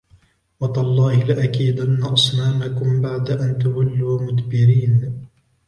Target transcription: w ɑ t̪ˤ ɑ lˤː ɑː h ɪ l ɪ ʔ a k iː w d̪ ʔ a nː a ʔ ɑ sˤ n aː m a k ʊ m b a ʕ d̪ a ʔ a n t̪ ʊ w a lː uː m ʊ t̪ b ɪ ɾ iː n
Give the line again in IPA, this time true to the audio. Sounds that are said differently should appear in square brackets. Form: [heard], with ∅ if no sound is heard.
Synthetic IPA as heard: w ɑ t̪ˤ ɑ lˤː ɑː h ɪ l ɪ ʔ a k iː [∅] d̪ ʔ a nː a ʔ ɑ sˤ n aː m a k ʊ m b a ʕ d̪ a ʔ a n t̪ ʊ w a lː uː m ʊ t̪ b ɪ ɾ iː n